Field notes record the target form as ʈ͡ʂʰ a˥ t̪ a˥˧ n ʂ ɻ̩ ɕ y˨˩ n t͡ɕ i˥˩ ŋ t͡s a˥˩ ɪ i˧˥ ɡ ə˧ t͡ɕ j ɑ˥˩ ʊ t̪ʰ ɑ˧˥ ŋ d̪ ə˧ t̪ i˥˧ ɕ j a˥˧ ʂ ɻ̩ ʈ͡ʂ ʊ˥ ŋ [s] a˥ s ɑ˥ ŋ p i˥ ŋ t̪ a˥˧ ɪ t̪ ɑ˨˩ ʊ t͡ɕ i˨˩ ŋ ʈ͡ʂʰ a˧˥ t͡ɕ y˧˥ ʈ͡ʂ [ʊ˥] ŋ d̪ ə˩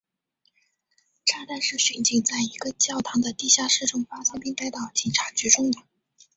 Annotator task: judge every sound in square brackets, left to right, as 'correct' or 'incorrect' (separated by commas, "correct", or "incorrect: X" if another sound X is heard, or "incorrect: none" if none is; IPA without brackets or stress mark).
incorrect: f, correct